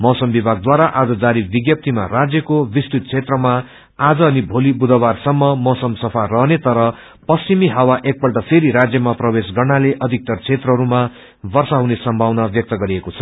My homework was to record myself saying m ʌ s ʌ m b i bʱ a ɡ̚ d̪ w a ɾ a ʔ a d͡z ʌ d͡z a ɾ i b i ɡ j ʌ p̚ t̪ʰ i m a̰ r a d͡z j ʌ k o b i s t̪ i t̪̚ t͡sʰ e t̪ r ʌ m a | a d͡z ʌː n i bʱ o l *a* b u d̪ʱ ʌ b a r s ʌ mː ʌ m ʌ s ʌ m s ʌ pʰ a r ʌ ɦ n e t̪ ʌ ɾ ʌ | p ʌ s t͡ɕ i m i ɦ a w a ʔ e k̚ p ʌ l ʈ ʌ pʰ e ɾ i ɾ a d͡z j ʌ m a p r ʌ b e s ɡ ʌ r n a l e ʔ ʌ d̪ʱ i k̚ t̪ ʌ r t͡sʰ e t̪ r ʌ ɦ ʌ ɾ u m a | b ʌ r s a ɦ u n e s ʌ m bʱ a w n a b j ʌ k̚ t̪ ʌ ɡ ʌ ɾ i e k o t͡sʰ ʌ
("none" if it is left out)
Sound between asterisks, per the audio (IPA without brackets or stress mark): i